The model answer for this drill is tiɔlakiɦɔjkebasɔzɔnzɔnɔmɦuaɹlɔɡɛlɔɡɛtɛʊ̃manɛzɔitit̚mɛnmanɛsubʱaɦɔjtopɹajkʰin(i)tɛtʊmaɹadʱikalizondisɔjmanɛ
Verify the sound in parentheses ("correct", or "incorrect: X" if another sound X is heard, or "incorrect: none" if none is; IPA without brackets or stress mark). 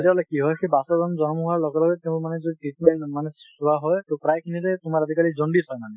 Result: correct